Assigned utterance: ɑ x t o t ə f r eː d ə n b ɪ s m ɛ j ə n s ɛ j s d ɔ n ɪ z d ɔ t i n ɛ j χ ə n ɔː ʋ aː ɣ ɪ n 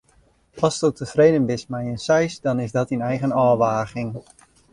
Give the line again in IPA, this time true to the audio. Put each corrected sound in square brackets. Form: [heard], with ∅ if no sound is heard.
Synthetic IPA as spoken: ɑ [s] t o t ə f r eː d ə n b ɪ s m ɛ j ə n s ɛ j s d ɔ n ɪ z d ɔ t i n ɛ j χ ə n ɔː ʋ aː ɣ ɪ [ŋ]